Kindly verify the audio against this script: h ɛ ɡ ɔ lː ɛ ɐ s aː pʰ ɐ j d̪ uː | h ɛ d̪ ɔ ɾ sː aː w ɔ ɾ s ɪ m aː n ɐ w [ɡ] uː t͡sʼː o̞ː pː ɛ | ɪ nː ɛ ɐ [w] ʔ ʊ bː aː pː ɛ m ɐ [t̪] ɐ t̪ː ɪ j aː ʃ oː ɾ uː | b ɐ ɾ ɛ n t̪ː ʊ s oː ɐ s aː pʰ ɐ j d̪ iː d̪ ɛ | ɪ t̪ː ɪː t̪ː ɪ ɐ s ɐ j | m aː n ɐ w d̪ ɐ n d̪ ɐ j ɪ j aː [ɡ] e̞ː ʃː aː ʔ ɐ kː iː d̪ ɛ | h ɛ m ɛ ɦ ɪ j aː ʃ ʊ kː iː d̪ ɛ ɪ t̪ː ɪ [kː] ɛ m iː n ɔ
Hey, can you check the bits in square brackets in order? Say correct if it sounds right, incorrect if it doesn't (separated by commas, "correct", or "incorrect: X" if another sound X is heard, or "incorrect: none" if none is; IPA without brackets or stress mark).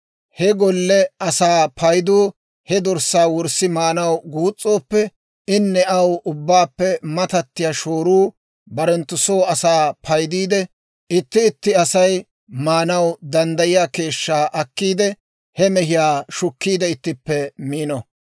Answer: correct, correct, correct, incorrect: k, incorrect: pː